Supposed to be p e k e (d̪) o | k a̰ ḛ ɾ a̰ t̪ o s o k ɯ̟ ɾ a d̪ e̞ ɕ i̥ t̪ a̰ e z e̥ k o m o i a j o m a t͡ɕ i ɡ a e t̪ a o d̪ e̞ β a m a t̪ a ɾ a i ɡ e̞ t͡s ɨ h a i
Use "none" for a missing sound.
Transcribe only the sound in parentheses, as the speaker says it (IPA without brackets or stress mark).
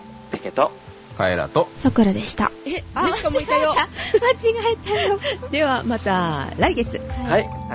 t̪